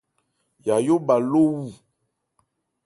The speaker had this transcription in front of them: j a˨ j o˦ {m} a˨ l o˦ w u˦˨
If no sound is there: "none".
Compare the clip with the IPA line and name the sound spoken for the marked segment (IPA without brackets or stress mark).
b